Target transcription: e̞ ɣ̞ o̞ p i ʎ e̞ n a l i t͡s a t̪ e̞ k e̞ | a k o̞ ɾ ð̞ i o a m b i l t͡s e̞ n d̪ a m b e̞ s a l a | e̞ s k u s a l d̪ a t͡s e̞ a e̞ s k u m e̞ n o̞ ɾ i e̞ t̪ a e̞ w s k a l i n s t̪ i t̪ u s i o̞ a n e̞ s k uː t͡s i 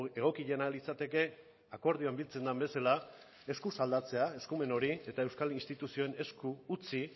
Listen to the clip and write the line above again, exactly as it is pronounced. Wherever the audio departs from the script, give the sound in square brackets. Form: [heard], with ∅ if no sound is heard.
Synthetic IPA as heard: e̞ ɣ̞ o̞ [k] i ʎ e̞ n a l i t͡s a t̪ e̞ k e̞ | a k o̞ ɾ ð̞ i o a m b i l t͡s e̞ n d̪ a m b e̞ s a l a | e̞ s k u s a l d̪ a t͡s e̞ a e̞ s k u m e̞ n o̞ ɾ i e̞ t̪ a e̞ w s k a l i n s t̪ i t̪ u s i o̞ [e] n e̞ s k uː t͡s i